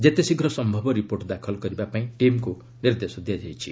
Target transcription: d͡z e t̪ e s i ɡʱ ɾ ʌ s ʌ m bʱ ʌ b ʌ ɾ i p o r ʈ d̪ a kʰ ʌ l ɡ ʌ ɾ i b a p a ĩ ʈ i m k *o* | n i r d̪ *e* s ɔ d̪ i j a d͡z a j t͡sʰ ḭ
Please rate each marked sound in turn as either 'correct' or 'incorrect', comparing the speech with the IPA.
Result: correct, correct

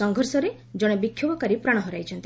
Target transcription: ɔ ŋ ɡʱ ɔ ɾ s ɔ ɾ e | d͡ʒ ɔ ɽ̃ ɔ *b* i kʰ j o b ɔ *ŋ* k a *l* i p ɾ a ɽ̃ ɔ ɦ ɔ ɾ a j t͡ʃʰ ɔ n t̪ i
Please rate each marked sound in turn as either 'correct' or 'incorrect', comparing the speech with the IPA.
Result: correct, incorrect: none, incorrect: ɾ

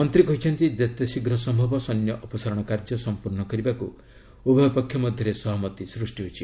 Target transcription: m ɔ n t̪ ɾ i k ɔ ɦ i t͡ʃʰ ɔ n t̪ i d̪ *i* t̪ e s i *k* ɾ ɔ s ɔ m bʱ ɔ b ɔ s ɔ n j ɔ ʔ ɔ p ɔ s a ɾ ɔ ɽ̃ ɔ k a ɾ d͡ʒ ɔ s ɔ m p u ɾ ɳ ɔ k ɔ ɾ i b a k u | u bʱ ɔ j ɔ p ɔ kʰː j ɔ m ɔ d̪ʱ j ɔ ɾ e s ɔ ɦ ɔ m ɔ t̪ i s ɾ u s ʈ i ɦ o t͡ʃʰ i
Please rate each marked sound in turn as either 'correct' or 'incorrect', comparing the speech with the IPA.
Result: incorrect: e, incorrect: ɡ

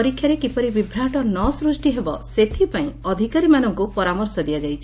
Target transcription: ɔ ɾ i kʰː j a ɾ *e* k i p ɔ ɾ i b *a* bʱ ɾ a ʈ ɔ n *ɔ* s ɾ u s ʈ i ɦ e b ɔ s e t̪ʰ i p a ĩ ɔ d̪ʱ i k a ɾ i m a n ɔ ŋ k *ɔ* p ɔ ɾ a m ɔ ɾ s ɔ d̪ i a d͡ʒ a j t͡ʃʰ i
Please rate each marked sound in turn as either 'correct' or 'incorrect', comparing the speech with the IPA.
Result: correct, incorrect: i, correct, incorrect: u

